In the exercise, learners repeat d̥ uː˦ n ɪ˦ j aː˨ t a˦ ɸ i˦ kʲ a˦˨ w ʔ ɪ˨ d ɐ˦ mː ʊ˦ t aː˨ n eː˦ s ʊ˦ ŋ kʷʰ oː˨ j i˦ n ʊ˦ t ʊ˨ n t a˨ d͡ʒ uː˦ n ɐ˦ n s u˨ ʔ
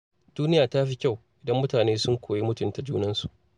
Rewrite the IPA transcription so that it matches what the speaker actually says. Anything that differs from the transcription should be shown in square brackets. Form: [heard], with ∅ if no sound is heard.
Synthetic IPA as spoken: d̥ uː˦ n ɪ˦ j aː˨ t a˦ ɸ i˦ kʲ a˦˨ w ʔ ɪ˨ d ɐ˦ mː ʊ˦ t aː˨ n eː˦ s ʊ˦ ŋ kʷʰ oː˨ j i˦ [m] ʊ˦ t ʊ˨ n t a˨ d͡ʒ uː˦ n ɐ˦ n s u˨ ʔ